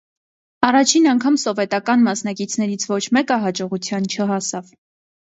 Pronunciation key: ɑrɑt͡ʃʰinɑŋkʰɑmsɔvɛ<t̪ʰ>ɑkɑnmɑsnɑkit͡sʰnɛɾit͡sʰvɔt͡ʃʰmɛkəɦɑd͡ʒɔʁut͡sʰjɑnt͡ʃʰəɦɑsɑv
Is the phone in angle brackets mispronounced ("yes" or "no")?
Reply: yes